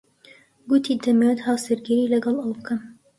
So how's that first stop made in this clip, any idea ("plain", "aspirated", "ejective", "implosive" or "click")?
plain